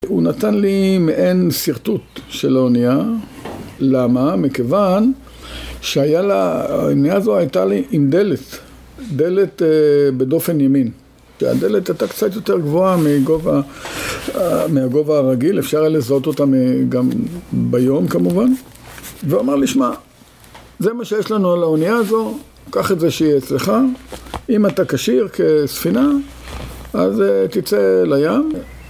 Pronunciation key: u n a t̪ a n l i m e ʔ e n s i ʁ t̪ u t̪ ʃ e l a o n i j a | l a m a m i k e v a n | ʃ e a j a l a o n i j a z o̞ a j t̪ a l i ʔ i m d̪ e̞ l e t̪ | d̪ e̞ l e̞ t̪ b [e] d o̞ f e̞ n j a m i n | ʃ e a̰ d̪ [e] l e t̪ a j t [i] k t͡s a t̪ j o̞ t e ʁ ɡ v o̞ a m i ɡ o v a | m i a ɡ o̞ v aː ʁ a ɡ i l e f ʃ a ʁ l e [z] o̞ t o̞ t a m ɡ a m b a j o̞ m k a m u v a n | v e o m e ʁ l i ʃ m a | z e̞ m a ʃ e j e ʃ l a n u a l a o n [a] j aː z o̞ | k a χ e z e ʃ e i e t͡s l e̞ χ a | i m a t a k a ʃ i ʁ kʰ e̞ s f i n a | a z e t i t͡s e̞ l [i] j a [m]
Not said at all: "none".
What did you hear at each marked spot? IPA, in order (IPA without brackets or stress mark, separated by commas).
e, e, a, z, i, a, m